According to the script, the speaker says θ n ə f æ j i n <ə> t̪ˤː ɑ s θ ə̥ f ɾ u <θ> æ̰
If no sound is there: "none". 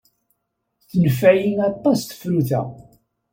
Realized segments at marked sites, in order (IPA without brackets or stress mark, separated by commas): ɑ, θ